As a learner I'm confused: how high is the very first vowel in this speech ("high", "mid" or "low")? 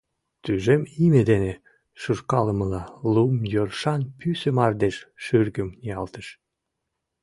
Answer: high